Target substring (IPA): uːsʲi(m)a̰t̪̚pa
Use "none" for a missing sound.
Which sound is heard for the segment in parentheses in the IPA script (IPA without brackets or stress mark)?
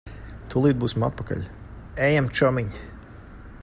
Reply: m